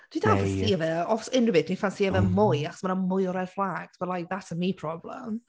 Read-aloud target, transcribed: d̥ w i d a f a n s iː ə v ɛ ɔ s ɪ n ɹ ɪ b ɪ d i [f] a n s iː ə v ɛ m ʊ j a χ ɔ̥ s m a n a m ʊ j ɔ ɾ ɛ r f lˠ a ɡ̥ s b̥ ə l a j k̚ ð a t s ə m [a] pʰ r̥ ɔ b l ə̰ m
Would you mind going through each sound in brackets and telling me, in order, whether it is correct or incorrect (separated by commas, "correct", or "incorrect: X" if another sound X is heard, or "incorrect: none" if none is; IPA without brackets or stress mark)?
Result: correct, incorrect: i